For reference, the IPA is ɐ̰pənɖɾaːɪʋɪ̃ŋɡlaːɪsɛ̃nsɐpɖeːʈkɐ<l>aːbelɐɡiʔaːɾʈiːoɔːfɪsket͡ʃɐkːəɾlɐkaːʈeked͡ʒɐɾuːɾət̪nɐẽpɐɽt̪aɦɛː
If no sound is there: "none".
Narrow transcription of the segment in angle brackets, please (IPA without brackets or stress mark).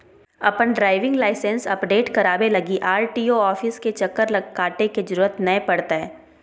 ɾ